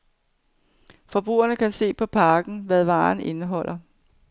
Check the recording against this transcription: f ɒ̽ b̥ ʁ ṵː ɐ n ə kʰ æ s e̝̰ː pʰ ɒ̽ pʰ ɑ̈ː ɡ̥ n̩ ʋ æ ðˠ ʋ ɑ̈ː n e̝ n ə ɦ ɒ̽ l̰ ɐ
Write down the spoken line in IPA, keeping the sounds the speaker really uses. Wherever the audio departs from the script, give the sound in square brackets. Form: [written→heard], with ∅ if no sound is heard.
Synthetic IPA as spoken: f ɒ̽ b̥ ʁ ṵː ɐ n ə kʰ æ s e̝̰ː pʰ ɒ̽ pʰ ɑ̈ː ɡ̥ n̩ ʋ æ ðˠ ʋ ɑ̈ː n e̝ n ə ɦ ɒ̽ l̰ ɐ